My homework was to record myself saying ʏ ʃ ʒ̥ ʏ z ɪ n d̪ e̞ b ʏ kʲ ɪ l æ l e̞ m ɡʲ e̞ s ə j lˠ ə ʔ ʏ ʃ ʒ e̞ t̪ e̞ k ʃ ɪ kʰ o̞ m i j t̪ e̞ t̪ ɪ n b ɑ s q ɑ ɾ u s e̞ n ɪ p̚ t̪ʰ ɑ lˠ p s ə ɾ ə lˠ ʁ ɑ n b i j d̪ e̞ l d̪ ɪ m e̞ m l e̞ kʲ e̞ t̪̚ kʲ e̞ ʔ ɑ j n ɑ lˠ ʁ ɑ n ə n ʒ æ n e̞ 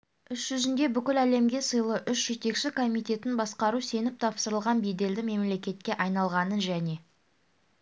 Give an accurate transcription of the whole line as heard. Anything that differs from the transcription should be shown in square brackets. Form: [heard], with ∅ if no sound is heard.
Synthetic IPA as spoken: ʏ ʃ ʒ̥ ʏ z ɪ n d̪ e̞ b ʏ kʲ ɪ l æ l e̞ m ɡʲ e̞ s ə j lˠ ə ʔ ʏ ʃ ʒ e̞ t̪ e̞ k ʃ ɪ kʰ o̞ m i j t̪ e̞ t̪ ɪ n b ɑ s q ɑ ɾ u s e̞ n ɪ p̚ t̪ʰ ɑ [∅] p s ə ɾ ə lˠ ʁ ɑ n b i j d̪ e̞ l d̪ ɪ m e̞ m l e̞ kʲ e̞ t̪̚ kʲ e̞ ʔ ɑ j n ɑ lˠ ʁ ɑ n ə n ʒ æ n e̞